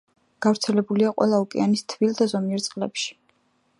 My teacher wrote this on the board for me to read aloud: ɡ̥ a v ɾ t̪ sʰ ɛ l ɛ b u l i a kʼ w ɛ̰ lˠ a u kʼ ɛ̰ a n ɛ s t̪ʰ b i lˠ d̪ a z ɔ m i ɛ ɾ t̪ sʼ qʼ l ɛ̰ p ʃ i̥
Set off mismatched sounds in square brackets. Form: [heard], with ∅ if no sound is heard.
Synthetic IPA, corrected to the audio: ɡ̥ a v ɾ t̪ sʰ ɛ l ɛ b u l i a [qʼ] w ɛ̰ lˠ a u kʼ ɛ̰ a n [i] s t̪ʰ [v] i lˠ d̪ a z ɔ m i ɛ ɾ t̪ sʼ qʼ l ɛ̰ p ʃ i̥